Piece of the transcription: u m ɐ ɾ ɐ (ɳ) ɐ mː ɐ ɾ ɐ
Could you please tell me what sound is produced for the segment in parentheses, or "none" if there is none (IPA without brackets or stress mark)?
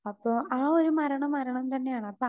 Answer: ɳ